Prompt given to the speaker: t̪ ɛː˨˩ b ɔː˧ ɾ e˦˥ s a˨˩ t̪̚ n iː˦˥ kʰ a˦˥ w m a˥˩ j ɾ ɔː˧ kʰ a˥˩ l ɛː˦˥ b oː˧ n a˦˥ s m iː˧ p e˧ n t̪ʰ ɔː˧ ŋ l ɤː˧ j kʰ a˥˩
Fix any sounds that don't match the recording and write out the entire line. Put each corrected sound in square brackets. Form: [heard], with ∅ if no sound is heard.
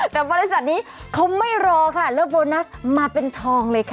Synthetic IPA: t̪ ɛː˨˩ b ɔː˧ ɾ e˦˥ s a˨˩ t̪̚ n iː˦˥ kʰ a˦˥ w m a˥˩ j ɾ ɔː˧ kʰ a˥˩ l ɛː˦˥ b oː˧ n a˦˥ s m [aː˧] p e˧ n t̪ʰ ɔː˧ ŋ l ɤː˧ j kʰ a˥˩